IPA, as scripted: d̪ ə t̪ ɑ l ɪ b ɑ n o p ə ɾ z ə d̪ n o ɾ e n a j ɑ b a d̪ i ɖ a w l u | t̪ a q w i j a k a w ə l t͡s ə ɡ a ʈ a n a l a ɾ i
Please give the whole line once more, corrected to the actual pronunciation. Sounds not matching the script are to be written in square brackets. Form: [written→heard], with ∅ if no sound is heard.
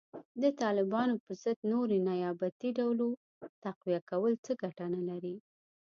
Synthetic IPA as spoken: d̪ ə t̪ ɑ l ɪ b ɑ n o p ə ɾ z ə d̪ n o ɾ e n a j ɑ b a [d̪→t̪] i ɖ a w l [u→o] | t̪ a q w i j a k a w ə l t͡s ə ɡ a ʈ a n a l a ɾ i